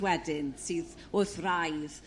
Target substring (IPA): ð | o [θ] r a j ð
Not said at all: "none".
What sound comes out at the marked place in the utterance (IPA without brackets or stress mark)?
θ